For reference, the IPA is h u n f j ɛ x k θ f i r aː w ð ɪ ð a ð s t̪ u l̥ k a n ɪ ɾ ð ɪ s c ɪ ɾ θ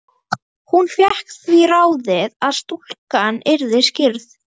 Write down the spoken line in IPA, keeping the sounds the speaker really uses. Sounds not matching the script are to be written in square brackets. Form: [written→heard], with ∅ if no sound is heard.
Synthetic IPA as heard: h u n f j ɛ [x→h] k θ [f→v] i r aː w ð ɪ ð a ð s t̪ u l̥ k a n ɪ ɾ ð ɪ s c ɪ ɾ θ